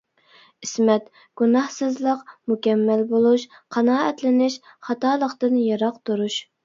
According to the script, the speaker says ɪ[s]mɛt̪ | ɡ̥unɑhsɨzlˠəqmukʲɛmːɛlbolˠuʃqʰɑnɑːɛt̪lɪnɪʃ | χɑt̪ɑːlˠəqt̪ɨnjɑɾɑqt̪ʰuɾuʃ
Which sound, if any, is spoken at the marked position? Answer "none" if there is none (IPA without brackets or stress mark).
s